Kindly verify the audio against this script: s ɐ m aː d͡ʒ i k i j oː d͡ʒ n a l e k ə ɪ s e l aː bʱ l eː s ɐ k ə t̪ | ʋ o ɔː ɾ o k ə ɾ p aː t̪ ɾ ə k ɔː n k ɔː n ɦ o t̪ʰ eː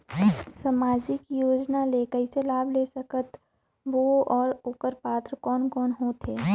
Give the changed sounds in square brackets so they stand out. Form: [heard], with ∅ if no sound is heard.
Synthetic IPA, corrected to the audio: s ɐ m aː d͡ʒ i k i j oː d͡ʒ n a l e k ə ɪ s e l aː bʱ l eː s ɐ k ə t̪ | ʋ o ɔː ɾ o k ə ɾ p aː t̪ ɾ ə k ɔː n k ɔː n ɦ o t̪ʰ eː

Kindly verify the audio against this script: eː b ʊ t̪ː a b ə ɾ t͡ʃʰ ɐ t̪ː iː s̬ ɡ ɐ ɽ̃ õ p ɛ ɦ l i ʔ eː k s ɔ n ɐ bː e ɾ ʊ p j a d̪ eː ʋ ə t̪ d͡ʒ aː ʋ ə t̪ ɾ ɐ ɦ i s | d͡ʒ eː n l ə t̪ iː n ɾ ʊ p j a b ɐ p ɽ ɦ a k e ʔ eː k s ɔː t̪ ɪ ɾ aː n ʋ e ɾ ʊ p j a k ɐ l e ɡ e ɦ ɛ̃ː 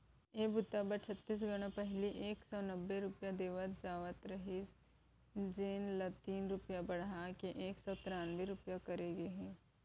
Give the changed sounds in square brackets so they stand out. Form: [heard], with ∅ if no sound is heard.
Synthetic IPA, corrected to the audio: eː b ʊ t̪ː a b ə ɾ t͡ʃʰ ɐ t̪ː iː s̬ ɡ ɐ ɽ̃ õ p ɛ ɦ l i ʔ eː k s ɔ n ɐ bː e ɾ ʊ p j a d̪ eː ʋ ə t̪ d͡ʒ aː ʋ ə t̪ ɾ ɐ ɦ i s | d͡ʒ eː n l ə t̪ iː n ɾ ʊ p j a b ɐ [∅] ɽ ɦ a k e ʔ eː k s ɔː t̪ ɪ ɾ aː n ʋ e ɾ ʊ p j a k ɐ [ɾ] e ɡ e ɦ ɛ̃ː

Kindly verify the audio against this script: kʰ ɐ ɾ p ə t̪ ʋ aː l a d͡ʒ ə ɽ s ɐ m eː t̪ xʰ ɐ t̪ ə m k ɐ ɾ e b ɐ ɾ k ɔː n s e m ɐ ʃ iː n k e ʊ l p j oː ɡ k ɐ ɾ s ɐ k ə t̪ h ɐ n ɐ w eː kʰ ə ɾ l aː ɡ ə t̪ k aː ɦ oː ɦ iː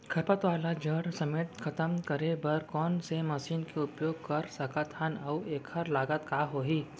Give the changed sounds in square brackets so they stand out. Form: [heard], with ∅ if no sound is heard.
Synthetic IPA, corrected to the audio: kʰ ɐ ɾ p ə t̪ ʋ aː l a d͡ʒ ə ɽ s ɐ m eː t̪ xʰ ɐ t̪ ə m k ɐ ɾ e b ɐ ɾ k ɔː n s e m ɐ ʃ iː n k e ʊ [∅] p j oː ɡ k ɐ ɾ s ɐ k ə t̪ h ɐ n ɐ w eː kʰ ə ɾ l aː ɡ ə t̪ k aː ɦ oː ɦ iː

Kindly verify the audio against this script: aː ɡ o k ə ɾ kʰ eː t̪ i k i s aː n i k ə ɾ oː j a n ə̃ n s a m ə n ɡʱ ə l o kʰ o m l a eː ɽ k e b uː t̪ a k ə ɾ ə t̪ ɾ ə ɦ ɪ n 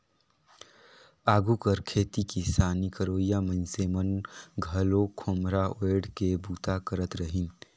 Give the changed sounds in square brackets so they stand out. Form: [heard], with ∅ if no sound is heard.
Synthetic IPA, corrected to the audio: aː ɡ [u] k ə ɾ kʰ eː t̪ i k i s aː n i k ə ɾ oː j a [m] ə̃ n s [e] m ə n ɡʱ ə l o kʰ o m [ɾ] a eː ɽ k e b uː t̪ a k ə ɾ ə t̪ ɾ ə ɦ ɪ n

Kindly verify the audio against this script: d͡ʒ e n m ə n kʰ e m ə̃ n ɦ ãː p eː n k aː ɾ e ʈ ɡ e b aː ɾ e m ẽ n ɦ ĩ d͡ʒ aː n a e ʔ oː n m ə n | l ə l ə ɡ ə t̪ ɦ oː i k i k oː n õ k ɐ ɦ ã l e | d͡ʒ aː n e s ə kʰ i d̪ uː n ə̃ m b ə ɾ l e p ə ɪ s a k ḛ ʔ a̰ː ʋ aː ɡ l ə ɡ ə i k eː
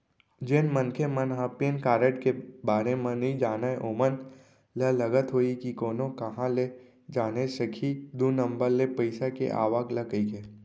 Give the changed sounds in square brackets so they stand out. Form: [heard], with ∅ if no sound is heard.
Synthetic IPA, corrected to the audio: d͡ʒ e n m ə n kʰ e m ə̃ n ɦ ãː p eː n k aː ɾ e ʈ [k] e b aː ɾ e m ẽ n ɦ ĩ d͡ʒ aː n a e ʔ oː [∅] m ə n | l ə l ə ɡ ə t̪ ɦ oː i k i k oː n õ k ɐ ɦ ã l e | d͡ʒ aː n e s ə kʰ i d̪ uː n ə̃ m b ə ɾ l e p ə ɪ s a k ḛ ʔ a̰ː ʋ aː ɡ l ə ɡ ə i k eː

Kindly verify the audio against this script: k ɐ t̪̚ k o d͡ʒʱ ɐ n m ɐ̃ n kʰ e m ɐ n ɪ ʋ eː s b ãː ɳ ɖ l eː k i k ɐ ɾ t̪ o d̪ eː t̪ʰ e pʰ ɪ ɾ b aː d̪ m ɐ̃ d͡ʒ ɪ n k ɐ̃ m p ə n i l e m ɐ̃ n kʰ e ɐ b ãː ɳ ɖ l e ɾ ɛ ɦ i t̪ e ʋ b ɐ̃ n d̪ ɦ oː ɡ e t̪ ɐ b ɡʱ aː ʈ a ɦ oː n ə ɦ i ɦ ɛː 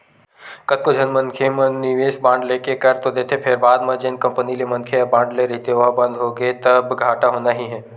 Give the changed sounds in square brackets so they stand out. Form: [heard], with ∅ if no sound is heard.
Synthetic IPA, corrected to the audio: k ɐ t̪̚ k o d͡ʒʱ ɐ n m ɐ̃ n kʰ e m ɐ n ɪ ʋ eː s b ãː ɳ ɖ l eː k [e] k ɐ ɾ t̪ o d̪ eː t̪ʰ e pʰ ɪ ɾ b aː d̪ m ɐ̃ d͡ʒ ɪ n k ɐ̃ m p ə n i l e m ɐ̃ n kʰ e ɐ b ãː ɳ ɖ l e ɾ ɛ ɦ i t̪ e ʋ b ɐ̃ n d̪ ɦ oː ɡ e t̪ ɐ b ɡʱ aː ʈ a ɦ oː n [a] ɦ i ɦ ɛː

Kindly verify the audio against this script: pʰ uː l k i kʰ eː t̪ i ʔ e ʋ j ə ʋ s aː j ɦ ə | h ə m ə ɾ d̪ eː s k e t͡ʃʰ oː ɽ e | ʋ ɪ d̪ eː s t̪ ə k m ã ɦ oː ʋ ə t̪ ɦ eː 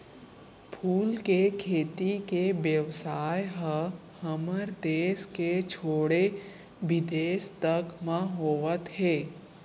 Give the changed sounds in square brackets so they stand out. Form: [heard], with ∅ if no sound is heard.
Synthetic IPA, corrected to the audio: pʰ uː l k [e] kʰ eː t̪ i [k] e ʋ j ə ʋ s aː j ɦ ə | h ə m ə ɾ d̪ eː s k e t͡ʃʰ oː ɽ e | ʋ ɪ d̪ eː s t̪ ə k m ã ɦ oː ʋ ə t̪ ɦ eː

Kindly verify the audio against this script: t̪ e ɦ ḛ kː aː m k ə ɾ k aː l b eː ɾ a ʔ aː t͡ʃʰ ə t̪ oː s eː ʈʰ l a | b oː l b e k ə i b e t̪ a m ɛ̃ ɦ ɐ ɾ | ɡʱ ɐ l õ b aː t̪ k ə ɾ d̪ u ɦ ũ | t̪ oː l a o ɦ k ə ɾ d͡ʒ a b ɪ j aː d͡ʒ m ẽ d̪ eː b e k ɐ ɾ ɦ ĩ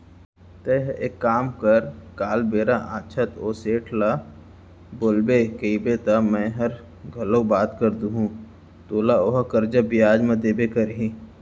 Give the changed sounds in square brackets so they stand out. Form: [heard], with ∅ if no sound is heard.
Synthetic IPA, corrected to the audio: t̪ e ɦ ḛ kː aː m k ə ɾ k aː l b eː ɾ a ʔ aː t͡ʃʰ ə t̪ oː s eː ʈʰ l a | b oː l b e k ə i b e t̪ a m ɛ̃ ɦ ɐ ɾ | ɡʱ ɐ l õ b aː t̪ k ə ɾ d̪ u ɦ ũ | t̪ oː l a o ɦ k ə ɾ d͡ʒ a b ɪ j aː d͡ʒ m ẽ d̪ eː b e k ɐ ɾ ɦ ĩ

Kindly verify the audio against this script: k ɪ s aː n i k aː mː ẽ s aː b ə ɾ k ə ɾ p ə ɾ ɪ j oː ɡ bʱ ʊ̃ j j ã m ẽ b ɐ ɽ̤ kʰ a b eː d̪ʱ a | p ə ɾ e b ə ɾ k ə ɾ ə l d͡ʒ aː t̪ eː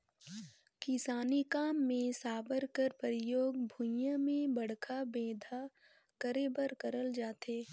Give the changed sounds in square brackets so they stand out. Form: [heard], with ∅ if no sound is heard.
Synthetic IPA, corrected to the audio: k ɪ s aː n i k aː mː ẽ s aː b ə ɾ k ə ɾ p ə ɾ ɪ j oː ɡ bʱ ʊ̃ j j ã m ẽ b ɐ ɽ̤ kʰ a b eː d̪ʱ a | [k] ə ɾ e b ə ɾ k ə ɾ ə l d͡ʒ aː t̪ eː

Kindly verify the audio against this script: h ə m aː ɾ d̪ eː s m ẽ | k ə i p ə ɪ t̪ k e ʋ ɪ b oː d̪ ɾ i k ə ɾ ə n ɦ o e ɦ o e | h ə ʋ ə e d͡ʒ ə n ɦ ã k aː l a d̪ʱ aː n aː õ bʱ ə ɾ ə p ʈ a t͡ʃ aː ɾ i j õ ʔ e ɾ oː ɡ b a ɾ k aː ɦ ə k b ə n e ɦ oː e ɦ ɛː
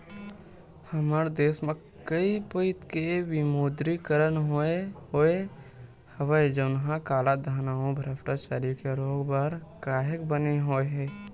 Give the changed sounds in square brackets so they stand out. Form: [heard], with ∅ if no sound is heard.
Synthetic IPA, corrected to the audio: h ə m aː ɾ d̪ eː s m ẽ | k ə i p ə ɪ t̪ k e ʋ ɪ [m] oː d̪ ɾ i k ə ɾ ə n ɦ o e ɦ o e | h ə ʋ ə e d͡ʒ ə n ɦ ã k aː l a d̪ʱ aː n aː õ bʱ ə ɾ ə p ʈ a t͡ʃ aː ɾ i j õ [k] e ɾ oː ɡ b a ɾ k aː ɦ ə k b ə n e ɦ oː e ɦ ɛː

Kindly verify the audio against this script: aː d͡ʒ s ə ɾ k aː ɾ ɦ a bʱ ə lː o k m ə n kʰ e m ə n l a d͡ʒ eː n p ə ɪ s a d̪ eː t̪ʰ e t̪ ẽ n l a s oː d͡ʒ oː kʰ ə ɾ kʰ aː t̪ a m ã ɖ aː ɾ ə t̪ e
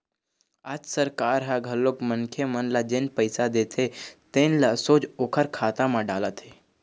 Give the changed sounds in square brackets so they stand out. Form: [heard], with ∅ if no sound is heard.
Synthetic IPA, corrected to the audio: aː d͡ʒ s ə ɾ k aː ɾ ɦ a [ɡʱ] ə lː o k m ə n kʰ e m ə n l a d͡ʒ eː n p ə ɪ s a d̪ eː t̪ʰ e t̪ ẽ n l a s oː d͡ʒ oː kʰ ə ɾ kʰ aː t̪ a m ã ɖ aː [l] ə t̪ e

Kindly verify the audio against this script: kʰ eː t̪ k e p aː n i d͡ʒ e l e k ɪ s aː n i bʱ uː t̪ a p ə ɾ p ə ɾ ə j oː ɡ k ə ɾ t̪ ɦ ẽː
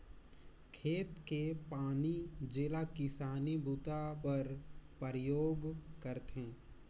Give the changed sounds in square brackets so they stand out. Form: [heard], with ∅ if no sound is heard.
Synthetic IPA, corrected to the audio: kʰ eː t̪ k e p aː n i d͡ʒ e l [a] k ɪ s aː n i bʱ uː t̪ a p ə ɾ p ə ɾ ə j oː ɡ k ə ɾ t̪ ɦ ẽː

